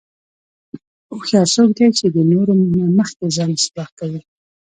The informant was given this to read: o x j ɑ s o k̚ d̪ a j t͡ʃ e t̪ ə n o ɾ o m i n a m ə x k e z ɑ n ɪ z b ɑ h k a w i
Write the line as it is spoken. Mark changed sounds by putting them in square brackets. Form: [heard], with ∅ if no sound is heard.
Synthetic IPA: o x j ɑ s o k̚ d̪ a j t͡ʃ e [d̪] ə n o ɾ o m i n a m ə x k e z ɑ n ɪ [s] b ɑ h k a w i